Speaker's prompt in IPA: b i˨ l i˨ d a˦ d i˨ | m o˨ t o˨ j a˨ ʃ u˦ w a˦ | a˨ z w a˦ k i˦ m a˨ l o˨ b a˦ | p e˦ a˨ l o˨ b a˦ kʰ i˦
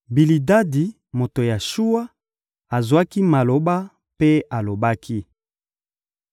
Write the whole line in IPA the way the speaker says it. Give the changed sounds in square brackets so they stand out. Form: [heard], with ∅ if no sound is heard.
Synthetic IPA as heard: b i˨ l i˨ d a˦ d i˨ | m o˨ t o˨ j a˨ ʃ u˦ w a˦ | a˨ z w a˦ k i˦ m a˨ l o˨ b a˦ | p e˦ a˨ l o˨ b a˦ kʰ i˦